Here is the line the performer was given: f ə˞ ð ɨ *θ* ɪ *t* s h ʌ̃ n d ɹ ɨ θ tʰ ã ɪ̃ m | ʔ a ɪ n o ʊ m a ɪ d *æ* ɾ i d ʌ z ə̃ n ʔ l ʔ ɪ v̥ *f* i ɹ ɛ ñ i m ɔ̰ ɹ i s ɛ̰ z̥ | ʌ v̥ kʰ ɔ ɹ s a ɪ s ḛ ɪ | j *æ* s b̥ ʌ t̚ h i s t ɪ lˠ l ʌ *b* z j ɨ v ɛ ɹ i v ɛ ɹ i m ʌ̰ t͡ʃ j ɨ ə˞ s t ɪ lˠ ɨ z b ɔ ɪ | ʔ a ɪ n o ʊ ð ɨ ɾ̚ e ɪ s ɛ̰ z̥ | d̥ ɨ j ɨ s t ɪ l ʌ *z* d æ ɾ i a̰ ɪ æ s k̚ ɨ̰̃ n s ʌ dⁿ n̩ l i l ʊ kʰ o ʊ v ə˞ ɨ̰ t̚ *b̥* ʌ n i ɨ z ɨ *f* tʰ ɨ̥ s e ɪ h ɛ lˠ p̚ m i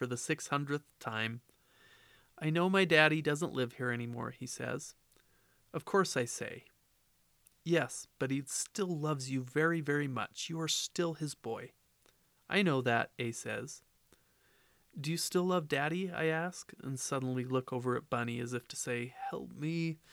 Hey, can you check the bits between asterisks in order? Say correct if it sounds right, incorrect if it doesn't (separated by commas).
incorrect, incorrect, correct, incorrect, incorrect, incorrect, incorrect, correct, correct